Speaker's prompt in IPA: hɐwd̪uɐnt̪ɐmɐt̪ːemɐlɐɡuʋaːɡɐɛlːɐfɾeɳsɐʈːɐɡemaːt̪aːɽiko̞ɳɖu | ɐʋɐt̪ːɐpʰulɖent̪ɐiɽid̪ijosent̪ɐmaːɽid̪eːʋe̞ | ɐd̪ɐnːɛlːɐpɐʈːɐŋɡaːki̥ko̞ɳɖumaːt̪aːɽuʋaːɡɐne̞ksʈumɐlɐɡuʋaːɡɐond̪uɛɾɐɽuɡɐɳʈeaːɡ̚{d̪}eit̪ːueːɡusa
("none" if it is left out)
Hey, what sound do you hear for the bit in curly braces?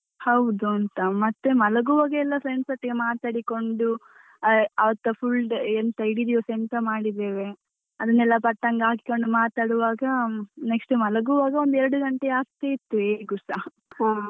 t̪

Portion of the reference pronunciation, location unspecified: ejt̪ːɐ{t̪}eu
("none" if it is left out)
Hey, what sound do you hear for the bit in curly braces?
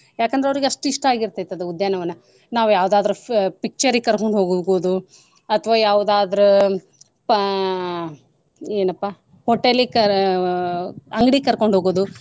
d̪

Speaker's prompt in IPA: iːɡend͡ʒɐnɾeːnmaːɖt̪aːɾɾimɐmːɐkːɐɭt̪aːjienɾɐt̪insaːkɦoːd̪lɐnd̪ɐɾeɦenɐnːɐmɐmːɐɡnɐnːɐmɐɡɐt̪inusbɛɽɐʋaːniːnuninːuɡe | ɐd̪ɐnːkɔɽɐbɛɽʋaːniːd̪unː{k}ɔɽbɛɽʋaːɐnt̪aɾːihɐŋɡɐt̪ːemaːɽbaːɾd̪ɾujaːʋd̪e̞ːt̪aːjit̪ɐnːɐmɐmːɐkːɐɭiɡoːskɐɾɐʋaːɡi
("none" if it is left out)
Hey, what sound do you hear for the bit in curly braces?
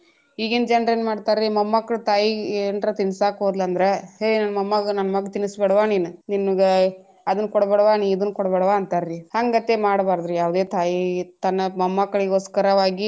k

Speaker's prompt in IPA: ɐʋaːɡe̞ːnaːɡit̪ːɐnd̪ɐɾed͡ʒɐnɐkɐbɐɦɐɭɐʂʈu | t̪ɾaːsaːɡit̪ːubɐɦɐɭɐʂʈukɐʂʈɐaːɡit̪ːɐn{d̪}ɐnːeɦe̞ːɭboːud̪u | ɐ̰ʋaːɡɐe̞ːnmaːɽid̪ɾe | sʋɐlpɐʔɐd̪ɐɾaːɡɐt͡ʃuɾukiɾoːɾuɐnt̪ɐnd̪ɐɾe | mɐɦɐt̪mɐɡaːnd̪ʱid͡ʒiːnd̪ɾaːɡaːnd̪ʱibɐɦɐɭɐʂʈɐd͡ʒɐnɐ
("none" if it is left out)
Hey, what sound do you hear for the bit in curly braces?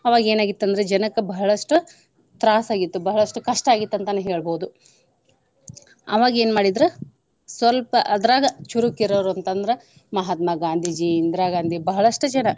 t̪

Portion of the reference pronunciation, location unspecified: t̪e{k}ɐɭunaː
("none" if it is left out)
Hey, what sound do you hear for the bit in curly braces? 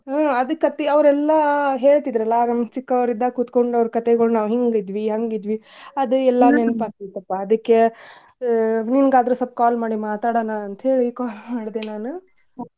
ɡ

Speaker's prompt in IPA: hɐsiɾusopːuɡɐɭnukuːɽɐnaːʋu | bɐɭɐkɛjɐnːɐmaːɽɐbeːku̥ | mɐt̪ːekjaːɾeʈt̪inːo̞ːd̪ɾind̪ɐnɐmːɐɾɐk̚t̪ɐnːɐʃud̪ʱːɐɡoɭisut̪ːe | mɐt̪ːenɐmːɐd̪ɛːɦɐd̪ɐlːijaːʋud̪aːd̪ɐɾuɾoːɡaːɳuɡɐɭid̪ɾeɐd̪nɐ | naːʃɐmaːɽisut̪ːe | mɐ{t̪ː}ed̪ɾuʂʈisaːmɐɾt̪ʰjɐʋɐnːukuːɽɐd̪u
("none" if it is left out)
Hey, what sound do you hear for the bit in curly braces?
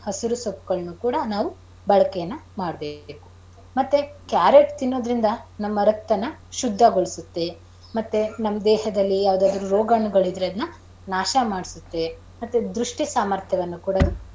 t̪ː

